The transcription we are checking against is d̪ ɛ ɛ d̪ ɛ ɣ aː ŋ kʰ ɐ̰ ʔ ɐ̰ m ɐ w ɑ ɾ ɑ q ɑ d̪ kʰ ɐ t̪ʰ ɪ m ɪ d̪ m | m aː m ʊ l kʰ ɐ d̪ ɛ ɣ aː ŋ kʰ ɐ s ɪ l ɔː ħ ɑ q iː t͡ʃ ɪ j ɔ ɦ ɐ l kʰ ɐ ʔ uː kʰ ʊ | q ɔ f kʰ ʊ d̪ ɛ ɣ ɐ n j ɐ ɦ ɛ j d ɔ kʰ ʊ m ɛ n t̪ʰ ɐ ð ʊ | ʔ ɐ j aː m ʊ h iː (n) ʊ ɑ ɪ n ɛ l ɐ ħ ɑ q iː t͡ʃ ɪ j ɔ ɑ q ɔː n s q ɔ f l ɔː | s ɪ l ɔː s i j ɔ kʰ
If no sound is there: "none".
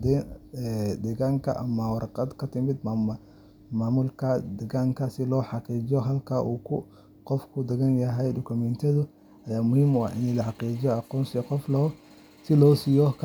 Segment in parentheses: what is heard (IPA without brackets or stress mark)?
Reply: m